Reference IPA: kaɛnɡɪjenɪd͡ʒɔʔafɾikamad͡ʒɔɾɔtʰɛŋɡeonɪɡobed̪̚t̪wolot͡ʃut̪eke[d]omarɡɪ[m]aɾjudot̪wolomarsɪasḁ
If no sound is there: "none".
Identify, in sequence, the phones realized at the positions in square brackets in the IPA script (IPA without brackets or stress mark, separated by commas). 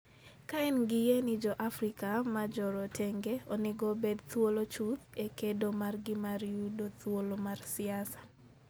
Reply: d, m